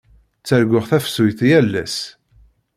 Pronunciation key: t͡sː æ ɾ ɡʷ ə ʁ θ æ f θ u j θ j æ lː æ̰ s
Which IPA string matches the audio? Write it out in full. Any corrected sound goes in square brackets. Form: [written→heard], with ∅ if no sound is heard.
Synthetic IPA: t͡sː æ ɾ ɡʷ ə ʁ θ æ f [θ→s] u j θ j æ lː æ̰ s